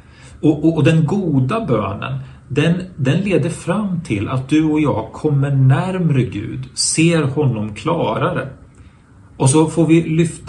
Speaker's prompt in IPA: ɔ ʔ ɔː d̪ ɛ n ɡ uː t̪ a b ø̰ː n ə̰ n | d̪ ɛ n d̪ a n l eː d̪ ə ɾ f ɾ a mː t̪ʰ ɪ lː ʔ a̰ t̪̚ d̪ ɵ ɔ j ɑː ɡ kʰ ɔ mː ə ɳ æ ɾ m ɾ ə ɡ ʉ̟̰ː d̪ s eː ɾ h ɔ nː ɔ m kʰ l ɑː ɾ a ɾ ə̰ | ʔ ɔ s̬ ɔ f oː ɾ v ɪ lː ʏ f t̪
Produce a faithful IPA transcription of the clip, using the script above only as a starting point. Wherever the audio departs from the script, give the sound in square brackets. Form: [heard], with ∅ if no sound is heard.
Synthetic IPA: ɔ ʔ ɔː d̪ ɛ n ɡ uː [d̪] a b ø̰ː n ə̰ n | d̪ ɛ n d̪ [ɛ] n l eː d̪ ə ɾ f ɾ a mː t̪ʰ ɪ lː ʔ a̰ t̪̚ d̪ ɵ ɔ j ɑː ɡ kʰ ɔ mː ə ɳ æ ɾ m ɾ ə ɡ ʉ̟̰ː d̪ s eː ɾ h ɔ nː ɔ m kʰ l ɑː ɾ a ɾ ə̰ | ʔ ɔ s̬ ɔ f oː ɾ v ɪ [l] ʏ f t̪